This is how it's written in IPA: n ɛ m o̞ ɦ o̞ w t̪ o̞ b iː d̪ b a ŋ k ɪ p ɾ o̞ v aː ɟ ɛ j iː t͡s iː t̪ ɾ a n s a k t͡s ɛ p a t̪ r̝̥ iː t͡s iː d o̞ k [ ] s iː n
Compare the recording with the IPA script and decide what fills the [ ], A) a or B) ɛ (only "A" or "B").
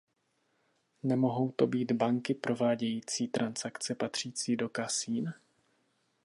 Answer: A